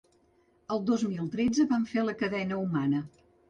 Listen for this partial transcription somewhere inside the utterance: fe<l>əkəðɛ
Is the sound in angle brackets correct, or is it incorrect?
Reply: correct